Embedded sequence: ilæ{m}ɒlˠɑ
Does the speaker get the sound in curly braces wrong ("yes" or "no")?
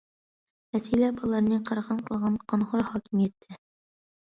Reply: yes